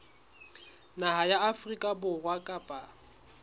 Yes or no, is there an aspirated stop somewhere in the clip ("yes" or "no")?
no